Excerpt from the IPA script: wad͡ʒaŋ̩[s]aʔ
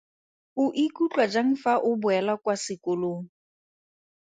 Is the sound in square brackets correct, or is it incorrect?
incorrect